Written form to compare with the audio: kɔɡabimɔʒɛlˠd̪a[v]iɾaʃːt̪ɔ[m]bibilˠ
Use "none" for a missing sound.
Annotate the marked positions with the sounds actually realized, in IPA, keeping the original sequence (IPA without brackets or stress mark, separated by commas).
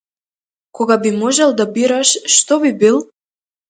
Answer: b, none